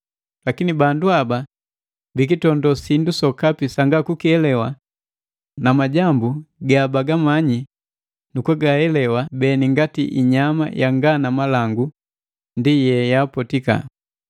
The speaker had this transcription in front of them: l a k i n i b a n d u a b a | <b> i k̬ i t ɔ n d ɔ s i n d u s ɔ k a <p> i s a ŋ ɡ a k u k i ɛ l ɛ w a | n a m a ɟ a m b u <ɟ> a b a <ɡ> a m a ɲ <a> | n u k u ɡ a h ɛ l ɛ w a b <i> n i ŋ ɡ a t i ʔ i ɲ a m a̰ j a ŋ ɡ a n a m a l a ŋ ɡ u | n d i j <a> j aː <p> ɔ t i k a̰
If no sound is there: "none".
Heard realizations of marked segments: b, p, ɡ, ɡ, i, ɛ, ɛ, p

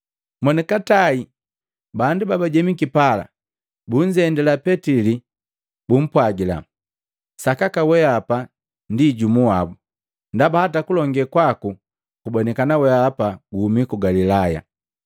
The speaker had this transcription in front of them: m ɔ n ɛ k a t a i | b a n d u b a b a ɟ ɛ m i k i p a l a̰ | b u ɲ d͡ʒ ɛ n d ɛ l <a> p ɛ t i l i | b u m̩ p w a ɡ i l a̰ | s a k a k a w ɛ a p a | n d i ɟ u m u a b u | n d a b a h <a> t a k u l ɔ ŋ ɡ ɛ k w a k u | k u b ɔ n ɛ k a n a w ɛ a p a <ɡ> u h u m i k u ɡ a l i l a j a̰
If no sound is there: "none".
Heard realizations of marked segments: a, a, ɡ

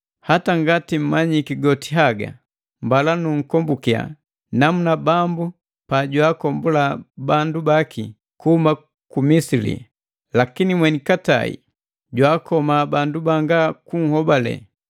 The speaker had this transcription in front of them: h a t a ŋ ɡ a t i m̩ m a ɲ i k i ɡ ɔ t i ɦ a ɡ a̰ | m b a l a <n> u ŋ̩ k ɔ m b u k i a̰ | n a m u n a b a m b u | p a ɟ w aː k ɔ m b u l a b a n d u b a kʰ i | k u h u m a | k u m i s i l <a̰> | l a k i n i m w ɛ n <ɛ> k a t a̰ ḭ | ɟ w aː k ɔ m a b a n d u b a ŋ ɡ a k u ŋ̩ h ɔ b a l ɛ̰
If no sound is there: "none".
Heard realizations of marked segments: n, ḭ, i

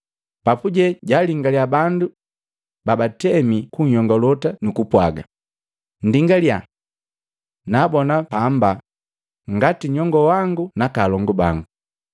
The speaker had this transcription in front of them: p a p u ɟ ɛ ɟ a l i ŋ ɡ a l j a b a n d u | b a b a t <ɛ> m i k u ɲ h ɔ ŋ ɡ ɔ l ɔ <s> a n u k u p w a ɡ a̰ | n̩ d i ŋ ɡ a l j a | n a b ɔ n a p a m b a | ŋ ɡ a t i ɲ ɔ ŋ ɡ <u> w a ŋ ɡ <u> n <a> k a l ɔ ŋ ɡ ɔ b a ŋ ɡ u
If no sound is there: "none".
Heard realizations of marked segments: ɛ, t, ɔ, u, a

